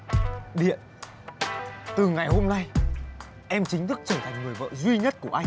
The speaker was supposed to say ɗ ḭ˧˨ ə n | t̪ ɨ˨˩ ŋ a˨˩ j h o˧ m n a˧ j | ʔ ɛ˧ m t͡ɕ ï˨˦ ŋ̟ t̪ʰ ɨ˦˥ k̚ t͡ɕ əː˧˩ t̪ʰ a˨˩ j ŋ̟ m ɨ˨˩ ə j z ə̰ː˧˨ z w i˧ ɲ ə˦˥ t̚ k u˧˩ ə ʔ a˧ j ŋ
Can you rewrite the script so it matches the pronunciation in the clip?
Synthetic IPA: ɗ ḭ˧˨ ə n | t̪ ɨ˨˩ ŋ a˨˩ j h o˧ m n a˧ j | ʔ ɛ˧ m t͡ɕ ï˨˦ ŋ̟ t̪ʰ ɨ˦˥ k̚ t͡ɕ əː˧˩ t̪ʰ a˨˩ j ŋ̟ ŋ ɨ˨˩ ə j v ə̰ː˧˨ z w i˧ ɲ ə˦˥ t̚ k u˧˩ ə ʔ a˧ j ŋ

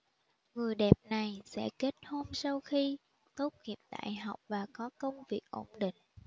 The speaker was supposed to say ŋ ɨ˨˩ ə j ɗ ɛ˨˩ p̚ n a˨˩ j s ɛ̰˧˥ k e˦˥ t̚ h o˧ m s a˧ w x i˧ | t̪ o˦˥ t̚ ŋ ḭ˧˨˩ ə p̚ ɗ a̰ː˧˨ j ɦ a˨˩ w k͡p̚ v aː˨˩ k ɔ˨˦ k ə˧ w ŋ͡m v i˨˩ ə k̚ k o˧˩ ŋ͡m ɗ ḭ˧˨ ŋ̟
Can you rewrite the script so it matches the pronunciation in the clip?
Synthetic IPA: ŋ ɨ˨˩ ə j ɗ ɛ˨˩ p̚ n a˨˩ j s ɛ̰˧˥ k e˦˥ t̚ h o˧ m s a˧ w x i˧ | t̪ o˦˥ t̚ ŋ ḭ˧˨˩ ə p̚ ɗ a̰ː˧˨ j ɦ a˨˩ w k͡p̚ v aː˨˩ k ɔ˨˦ k ə˧ w ŋ͡m v i˨˩ ə k̚ ʔ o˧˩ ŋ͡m ɗ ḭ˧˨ ŋ̟

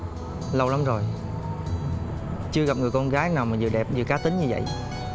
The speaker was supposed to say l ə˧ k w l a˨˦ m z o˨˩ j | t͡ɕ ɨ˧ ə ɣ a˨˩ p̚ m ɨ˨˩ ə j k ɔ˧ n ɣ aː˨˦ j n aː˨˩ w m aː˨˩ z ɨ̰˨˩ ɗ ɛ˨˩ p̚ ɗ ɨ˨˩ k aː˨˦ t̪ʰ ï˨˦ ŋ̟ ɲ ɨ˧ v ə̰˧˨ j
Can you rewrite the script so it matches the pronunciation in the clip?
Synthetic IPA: l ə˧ w l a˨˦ m z o˨˩ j | t͡ɕ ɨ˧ ə ɣ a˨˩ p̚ ŋ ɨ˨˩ ə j k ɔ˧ n ɣ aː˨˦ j n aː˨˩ w m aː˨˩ z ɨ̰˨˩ ɗ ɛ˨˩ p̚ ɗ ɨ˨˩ k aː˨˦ t̪ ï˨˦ ŋ̟ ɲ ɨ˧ v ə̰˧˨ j

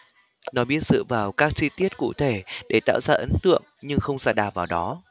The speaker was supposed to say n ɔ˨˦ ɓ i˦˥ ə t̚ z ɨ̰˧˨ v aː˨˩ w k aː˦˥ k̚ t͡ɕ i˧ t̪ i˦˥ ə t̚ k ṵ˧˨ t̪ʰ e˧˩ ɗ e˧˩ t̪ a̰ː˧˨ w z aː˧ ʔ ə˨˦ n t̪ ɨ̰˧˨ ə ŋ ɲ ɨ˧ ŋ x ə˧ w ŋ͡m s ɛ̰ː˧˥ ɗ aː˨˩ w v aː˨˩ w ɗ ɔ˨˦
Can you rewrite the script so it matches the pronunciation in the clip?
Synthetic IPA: n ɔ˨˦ ɓ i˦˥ ə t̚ z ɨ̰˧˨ v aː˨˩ w k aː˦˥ k̚ t͡ɕ i˧ t̪ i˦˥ ə t̚ k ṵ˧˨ t̪ʰ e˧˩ ɗ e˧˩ t̪ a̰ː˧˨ w z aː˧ ʔ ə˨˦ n t̪ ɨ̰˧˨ ə ŋ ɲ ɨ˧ ŋ x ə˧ w ŋ͡m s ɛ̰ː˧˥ ɗ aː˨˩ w v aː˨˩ w ɗ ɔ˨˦

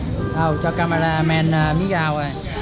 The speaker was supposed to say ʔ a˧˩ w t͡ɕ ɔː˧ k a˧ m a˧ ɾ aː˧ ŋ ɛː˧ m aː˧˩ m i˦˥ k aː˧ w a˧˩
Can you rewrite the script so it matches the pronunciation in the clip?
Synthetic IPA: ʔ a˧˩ w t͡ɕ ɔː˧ k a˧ m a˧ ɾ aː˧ m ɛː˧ n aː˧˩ m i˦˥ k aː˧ w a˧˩

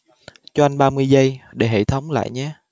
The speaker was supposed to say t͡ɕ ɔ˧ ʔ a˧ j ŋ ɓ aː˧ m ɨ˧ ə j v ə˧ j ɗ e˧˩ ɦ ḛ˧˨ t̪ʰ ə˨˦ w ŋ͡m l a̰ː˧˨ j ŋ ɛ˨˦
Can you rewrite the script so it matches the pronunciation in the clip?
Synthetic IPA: t͡ɕ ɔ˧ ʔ a˧ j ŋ ɓ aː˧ m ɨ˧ ə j z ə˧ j ɗ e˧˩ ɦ ḛ˧˨ t̪ʰ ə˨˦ w ŋ͡m l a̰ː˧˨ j ɲ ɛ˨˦

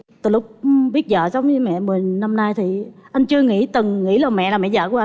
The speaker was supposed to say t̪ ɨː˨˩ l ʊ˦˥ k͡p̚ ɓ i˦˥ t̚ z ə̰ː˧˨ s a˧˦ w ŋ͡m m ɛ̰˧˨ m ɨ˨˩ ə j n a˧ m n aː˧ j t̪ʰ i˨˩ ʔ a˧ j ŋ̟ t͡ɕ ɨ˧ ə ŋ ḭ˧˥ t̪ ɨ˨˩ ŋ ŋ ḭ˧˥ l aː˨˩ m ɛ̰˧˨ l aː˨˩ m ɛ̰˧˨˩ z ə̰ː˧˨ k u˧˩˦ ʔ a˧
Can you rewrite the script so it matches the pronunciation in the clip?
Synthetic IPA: t̪ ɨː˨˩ l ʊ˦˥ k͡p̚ ɓ i˦˥ t̚ z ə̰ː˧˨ s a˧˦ w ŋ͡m m ɛ̰˧˨ m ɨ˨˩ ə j n a˧ m n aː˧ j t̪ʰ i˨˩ ʔ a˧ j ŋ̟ t͡ɕ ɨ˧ ə ŋ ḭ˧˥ t̪ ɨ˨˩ ŋ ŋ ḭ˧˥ l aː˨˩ m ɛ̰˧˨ l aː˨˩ m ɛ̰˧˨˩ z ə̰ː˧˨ k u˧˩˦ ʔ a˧

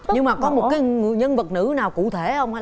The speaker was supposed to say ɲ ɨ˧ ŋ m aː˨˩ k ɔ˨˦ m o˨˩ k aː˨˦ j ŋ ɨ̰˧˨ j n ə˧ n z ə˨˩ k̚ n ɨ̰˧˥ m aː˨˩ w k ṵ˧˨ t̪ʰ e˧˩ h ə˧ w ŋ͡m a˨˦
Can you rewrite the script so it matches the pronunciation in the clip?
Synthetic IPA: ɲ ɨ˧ ŋ m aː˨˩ k ɔ˨˦ m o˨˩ k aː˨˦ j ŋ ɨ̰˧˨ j ɲ ə˧ n v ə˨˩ t̚ n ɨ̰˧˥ n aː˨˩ w k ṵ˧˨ t̪ʰ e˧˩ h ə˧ w ŋ͡m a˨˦

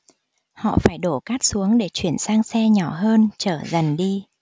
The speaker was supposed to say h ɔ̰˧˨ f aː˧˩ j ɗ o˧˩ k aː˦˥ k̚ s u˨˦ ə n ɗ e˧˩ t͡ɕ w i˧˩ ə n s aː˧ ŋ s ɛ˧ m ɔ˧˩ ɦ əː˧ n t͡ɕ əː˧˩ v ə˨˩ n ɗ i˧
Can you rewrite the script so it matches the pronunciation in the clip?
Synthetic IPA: h ɔ̰˧˨ f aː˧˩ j ɗ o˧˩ k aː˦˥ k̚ s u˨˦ ə ŋ ɗ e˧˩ t͡ɕ w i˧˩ ə n s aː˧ ŋ s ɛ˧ ɲ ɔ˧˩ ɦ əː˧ n t͡ɕ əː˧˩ z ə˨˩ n ɗ i˧

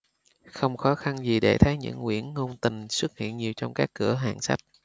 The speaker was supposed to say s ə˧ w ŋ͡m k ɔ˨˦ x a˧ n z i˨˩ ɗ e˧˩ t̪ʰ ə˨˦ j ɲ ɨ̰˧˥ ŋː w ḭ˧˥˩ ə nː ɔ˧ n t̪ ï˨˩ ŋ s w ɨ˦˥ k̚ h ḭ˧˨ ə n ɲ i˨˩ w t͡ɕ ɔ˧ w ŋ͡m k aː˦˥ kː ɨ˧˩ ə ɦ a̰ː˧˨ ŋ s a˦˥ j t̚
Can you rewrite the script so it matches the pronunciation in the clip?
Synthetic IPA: x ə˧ w ŋ͡m x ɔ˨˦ x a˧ n z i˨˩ ɗ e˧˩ t̪ʰ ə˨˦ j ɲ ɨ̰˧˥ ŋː w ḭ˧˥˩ ə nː o˧ n t̪ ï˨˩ ŋ s w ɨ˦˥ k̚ h ḭ˧˨ ə n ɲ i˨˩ w t͡ɕ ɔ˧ w ŋ͡m k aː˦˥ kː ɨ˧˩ ə ɦ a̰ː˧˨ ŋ s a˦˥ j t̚

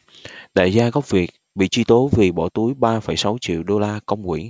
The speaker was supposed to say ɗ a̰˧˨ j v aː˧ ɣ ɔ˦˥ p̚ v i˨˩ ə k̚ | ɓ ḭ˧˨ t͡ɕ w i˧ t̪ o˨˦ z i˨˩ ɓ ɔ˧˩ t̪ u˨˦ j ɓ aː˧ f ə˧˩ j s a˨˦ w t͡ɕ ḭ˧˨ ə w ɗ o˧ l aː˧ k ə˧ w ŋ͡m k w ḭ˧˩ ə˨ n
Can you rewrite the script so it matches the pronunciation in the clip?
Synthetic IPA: ɗ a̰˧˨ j z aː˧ ɣ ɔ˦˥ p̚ v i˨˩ ə k̚ | ɓ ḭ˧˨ t͡ɕ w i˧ t̪ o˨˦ v i˨˩ ɓ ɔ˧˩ t̪ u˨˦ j ɓ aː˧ f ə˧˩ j s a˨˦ w t͡ɕ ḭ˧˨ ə w ɗ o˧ l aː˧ k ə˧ w ŋ͡m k w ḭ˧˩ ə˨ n

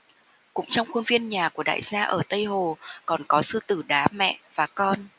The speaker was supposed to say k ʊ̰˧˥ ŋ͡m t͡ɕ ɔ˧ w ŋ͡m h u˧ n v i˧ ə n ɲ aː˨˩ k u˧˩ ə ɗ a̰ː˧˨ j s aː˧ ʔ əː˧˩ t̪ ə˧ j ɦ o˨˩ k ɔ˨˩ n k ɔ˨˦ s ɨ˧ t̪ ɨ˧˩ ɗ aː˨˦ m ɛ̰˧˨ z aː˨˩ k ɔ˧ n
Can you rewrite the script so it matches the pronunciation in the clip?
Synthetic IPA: k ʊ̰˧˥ ŋ͡m t͡ɕ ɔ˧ w ŋ͡m x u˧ n v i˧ ə n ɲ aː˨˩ k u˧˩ ə ɗ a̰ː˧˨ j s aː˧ ʔ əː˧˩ t̪ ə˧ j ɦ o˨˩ k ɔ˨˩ n k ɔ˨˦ s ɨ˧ t̪ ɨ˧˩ ɗ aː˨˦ m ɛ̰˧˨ v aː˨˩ k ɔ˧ n

